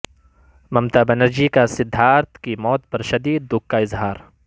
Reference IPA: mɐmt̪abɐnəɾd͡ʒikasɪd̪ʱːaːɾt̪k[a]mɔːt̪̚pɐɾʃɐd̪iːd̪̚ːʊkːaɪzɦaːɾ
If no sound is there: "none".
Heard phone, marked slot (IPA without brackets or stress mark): i